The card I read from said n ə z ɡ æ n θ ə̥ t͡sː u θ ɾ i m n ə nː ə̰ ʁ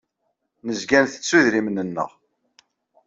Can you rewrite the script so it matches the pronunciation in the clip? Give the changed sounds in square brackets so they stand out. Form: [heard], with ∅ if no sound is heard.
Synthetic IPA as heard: n ə z ɡ æ n θ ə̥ t͡sː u [ð] ɾ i m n ə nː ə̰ ʁ